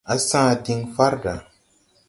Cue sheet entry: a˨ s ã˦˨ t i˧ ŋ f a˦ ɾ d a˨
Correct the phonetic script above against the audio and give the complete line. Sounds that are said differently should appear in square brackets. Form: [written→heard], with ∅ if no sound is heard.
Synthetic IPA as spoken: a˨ s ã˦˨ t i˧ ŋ f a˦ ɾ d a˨